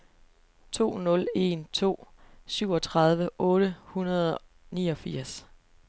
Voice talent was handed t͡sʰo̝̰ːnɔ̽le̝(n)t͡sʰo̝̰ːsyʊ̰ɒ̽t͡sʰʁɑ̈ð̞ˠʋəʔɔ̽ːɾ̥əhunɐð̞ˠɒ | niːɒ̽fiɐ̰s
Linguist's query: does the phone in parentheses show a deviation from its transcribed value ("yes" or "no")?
no